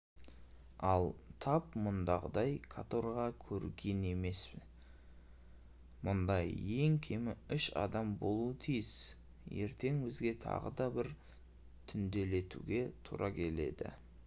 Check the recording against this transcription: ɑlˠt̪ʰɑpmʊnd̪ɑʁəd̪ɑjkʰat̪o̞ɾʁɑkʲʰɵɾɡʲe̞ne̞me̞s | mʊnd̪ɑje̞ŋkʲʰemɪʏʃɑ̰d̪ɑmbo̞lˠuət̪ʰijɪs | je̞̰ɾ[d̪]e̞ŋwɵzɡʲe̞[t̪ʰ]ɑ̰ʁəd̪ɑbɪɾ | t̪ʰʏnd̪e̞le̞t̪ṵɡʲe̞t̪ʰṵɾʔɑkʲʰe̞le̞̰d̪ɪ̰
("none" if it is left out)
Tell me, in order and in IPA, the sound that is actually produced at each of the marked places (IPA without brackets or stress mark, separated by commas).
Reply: t̪, t̪ʰ